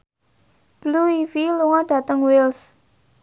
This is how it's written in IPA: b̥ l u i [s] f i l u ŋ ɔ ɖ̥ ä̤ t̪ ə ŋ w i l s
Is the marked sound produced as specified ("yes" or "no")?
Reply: no